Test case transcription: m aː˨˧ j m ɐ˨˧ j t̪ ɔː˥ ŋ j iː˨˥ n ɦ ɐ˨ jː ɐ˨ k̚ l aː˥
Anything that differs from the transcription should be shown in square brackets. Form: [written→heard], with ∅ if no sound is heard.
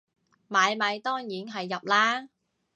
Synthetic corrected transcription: m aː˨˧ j m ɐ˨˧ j t̪ ɔː˥ ŋ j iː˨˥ n ɦ ɐ˨ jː ɐ˨ [k̚→p̚] l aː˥